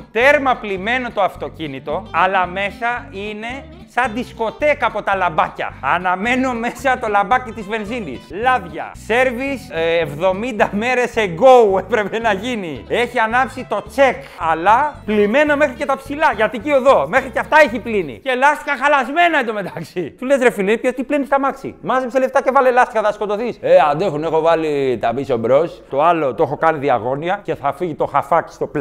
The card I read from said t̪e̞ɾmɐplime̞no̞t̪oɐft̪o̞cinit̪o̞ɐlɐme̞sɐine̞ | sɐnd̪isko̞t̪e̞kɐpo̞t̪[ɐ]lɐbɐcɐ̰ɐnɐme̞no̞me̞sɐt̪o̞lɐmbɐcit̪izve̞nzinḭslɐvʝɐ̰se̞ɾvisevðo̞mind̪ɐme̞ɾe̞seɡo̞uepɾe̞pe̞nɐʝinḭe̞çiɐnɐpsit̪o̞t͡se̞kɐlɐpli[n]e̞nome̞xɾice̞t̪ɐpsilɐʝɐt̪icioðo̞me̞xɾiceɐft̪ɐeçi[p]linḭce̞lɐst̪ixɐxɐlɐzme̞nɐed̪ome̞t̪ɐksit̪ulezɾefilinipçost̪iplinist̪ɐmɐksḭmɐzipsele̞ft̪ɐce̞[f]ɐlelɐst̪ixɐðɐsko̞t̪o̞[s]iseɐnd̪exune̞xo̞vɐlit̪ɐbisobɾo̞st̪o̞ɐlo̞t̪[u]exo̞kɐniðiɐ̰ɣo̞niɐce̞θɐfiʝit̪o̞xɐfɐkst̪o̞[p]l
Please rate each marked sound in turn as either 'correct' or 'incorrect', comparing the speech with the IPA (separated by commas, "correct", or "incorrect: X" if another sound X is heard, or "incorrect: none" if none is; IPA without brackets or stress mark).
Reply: correct, incorrect: m, correct, incorrect: v, incorrect: θ, incorrect: o, correct